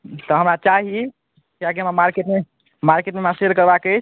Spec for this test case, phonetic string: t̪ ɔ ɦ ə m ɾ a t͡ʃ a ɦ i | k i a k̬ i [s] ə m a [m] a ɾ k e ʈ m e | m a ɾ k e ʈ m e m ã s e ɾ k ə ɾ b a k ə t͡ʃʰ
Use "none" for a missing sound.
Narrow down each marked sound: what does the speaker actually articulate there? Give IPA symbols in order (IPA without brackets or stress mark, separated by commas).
none, m